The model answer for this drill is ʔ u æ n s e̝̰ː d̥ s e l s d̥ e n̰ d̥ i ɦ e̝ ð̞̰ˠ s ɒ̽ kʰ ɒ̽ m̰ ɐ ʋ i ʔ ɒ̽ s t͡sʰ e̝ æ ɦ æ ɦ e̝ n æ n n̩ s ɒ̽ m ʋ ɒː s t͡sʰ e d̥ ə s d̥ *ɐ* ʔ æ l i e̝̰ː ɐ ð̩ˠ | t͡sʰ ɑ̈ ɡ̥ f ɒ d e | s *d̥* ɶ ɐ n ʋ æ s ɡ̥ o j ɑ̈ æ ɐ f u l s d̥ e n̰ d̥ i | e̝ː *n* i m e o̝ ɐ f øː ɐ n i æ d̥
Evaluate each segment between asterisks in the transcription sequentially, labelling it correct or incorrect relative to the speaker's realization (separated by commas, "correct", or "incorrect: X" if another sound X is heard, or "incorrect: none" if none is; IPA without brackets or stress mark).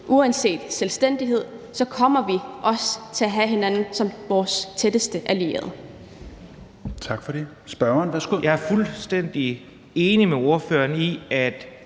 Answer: incorrect: ə, incorrect: b̥, correct